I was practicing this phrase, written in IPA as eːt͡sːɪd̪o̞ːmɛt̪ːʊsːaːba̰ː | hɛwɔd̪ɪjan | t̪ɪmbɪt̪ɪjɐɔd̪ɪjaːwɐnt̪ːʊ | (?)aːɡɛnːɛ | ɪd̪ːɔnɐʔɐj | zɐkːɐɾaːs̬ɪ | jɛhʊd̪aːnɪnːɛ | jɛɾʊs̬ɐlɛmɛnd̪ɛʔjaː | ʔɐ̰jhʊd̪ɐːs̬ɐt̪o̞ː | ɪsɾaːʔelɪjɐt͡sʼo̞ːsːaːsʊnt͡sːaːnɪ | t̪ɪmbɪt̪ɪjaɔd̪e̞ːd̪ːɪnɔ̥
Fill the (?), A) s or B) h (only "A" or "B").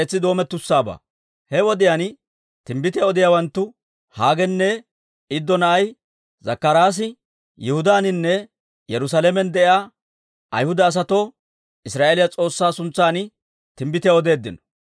B